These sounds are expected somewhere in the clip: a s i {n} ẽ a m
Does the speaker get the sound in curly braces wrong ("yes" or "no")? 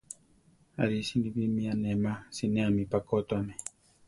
no